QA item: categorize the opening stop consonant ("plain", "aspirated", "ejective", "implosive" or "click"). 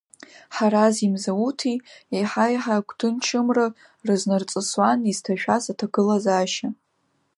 aspirated